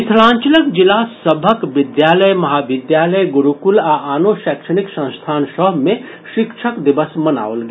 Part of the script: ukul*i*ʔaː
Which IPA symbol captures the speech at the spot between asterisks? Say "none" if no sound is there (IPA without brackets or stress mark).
a